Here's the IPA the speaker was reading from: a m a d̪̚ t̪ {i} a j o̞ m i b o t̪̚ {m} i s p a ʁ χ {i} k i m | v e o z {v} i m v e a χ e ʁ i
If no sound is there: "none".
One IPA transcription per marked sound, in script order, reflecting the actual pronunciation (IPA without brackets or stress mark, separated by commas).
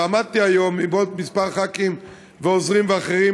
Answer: i, m, a, ʁ